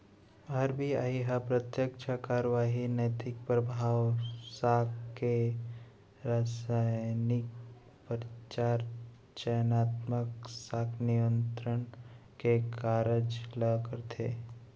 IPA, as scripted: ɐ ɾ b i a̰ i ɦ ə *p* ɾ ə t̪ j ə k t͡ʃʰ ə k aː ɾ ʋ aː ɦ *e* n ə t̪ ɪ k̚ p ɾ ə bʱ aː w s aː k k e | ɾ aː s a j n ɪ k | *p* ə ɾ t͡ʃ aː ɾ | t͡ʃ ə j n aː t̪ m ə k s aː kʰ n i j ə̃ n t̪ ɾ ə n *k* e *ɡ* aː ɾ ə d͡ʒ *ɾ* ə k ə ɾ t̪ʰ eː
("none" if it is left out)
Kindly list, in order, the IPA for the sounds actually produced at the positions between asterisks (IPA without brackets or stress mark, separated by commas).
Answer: p, i, p, k, k, l